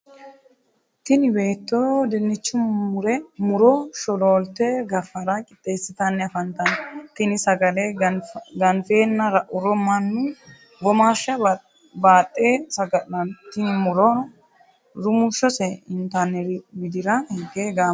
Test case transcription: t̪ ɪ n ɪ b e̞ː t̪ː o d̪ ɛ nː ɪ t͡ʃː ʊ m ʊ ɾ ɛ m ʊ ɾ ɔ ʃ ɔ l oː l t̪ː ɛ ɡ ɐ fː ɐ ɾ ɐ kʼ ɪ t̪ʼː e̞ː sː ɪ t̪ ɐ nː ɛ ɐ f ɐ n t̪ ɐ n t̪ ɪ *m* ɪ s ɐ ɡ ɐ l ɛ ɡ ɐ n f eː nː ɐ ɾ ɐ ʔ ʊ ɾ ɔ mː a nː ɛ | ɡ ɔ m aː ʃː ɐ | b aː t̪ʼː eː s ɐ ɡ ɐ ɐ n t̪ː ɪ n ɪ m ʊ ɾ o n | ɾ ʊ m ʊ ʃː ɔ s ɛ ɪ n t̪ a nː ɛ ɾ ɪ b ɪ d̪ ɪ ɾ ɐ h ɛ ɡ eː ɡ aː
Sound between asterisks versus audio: incorrect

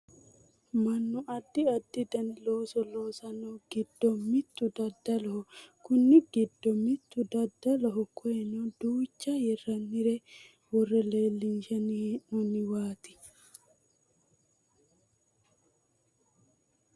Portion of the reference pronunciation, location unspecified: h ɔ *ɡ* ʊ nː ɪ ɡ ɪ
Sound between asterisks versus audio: incorrect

